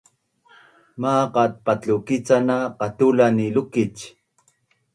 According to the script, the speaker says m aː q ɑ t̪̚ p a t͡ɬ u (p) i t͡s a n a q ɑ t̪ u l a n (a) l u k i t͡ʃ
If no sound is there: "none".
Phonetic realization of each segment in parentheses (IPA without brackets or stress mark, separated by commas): k, i